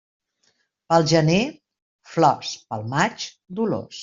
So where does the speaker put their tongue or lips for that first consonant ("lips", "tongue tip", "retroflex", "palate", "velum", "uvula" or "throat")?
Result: lips